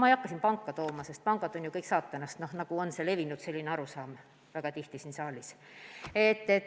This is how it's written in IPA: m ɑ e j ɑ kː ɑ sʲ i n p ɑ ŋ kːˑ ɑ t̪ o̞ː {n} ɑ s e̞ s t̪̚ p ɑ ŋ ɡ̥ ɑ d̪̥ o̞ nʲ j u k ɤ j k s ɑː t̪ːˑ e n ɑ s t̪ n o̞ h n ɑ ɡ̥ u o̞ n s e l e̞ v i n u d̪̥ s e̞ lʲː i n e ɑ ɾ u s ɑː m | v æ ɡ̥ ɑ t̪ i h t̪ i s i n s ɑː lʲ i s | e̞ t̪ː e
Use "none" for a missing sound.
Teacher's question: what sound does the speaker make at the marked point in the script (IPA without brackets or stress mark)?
m